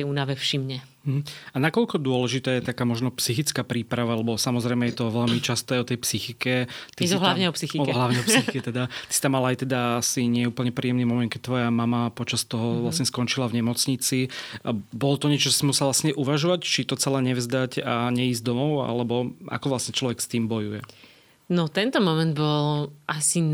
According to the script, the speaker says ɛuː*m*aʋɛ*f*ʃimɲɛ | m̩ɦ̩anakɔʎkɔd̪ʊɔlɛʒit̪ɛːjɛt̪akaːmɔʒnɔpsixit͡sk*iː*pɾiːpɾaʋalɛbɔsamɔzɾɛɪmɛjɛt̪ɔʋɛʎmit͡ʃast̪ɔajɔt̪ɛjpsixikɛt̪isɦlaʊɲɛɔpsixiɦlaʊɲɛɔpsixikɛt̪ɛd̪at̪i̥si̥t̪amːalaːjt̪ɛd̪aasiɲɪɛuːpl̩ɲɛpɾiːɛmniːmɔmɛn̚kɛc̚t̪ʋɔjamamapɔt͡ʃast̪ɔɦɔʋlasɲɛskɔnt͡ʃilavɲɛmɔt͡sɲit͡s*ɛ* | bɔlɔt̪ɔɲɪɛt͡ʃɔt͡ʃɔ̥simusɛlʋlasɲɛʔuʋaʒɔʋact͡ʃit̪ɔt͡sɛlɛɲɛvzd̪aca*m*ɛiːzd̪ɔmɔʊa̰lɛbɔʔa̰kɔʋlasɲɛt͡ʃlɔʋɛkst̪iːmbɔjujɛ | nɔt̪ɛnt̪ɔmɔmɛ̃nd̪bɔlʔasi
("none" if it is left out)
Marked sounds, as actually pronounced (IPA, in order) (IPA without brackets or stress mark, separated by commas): n, f, aː, i, ɲ